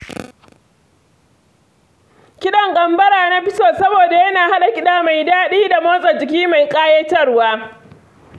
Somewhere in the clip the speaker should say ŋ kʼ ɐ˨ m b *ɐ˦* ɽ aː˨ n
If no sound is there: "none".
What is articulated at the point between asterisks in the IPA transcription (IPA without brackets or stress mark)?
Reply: ɐ˦